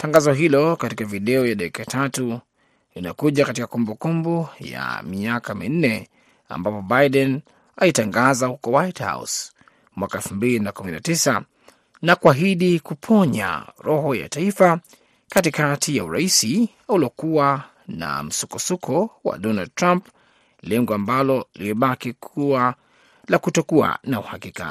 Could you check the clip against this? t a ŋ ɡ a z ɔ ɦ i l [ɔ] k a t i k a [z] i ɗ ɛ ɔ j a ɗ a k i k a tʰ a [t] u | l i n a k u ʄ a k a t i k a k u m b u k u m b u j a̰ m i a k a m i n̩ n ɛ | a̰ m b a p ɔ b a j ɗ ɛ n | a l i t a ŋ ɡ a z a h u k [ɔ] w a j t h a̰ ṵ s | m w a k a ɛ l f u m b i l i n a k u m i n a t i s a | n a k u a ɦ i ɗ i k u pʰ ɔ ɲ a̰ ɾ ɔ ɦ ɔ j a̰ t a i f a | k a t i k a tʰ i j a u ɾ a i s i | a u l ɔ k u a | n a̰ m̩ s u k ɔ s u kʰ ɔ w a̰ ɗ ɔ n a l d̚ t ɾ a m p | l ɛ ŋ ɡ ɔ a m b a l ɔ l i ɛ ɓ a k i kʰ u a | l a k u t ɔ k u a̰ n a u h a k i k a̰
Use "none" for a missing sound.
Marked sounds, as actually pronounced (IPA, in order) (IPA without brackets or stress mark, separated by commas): ɔ, v, t, ɔ